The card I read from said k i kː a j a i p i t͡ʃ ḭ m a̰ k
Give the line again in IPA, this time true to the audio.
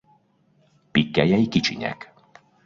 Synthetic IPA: p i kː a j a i k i t͡ʃ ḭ ɲ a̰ k